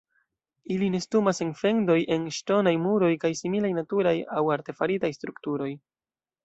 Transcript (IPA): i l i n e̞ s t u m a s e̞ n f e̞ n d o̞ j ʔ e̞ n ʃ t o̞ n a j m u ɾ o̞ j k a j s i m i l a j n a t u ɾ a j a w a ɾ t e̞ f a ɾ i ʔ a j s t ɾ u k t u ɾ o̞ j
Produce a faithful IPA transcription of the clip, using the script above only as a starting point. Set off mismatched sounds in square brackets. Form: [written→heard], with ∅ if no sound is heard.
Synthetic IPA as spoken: i l i n e̞ s t u m a s e̞ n f e̞ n d o̞ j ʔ e̞ n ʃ t o̞ n a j m u ɾ o̞ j k a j s i m i l a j n a t u ɾ a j a w a ɾ t e̞ f a ɾ i [ʔ→t] a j s t ɾ u k t u ɾ o̞ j